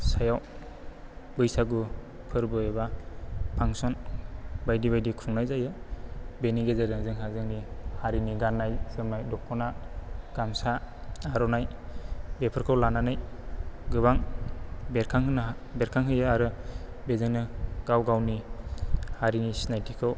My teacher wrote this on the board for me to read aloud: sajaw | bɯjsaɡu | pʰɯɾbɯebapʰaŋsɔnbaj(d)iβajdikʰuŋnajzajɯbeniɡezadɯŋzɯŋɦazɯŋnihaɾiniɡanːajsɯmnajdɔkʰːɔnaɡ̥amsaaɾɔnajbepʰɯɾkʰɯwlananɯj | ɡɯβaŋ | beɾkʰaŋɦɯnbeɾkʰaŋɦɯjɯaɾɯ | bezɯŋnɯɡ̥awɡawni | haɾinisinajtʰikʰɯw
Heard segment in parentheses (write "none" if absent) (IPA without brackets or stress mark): d